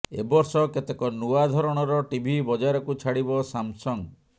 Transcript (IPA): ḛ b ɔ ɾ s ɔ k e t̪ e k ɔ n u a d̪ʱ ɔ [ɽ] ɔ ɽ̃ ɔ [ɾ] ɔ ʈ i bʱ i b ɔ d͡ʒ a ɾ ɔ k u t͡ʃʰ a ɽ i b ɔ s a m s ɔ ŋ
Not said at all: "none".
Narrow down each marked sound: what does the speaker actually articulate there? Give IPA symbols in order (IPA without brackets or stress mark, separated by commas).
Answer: ɾ, ɾ